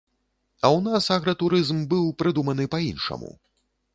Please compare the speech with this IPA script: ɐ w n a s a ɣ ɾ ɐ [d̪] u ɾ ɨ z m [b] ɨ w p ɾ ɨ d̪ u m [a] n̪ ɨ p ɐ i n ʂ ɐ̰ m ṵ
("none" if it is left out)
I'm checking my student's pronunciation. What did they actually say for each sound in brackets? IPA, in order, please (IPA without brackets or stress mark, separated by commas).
t̪, b, ɐ